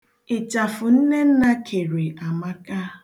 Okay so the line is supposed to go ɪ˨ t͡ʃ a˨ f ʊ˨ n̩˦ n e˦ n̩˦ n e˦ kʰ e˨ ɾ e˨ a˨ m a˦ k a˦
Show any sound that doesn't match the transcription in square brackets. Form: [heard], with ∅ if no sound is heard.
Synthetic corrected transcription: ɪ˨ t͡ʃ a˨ f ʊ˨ n̩˦ n e˦ n̩˦ n [a˦] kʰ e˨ ɾ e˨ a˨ m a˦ k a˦